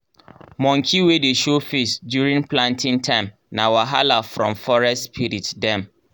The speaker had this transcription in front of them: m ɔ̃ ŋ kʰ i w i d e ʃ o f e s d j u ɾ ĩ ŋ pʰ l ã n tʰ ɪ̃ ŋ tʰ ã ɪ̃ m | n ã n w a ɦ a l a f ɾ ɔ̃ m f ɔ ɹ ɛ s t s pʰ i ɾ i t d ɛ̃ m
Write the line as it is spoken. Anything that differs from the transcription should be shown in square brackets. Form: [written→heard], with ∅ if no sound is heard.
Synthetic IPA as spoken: m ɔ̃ ŋ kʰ i w [i→e] d e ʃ o f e s d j u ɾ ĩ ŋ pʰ l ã n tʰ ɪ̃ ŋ tʰ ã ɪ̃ m | n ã [n→∅] w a ɦ a l a f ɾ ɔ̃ m f ɔ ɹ ɛ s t s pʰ i ɾ i t d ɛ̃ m